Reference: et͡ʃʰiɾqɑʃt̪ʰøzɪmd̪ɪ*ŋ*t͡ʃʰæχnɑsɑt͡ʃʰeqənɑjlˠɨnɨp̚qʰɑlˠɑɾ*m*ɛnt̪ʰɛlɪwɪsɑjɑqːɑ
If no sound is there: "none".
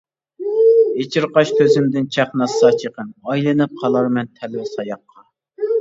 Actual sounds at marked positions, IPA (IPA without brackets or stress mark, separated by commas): n, m